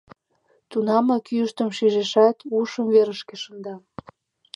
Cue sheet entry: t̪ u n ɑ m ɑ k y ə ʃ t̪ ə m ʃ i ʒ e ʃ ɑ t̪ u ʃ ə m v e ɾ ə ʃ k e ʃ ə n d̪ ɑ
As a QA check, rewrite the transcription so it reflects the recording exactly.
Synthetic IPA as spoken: t̪ u n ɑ m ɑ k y ə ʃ t̪ ə m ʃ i ʒ e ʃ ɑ t̪ u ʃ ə m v e ɾ ə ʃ k e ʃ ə n d̪ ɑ